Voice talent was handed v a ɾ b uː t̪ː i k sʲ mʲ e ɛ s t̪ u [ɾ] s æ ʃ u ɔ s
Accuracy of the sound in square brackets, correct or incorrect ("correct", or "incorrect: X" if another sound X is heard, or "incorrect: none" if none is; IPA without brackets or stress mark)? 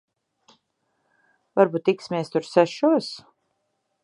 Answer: correct